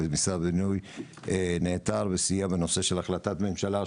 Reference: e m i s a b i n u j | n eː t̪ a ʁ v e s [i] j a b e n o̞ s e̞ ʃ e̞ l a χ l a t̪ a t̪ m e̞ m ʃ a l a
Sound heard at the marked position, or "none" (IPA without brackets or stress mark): i